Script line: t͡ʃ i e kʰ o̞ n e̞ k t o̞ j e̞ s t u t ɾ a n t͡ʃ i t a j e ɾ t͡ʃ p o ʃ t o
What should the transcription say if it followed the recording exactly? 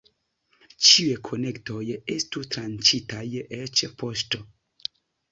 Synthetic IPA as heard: t͡ʃ i e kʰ o̞ n e̞ k t o̞ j e̞ s t u t ɾ a n t͡ʃ i t a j e t͡ʃ p o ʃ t o